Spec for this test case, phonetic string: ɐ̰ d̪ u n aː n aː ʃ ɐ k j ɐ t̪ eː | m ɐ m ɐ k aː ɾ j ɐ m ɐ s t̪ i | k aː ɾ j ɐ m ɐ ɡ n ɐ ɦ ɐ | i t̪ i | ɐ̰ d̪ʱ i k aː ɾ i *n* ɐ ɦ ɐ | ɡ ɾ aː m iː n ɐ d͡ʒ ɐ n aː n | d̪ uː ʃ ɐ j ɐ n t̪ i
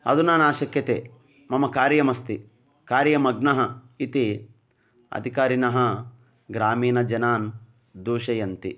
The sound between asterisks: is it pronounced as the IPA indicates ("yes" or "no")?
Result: yes